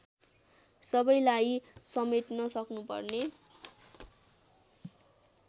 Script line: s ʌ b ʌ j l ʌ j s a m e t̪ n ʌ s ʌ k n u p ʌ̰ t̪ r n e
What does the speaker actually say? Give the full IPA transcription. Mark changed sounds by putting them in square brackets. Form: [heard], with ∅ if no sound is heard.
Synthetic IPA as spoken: s ʌ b ʌ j l [a] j s [ʌ] m e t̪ n ʌ s ʌ k n u p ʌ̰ [∅] r n e